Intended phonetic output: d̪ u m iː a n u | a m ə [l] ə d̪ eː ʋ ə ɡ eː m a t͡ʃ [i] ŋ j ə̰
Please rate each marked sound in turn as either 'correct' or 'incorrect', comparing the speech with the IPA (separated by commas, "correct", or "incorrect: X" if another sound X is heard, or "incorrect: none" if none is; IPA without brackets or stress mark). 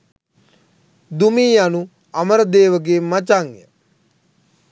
incorrect: ɾ, incorrect: a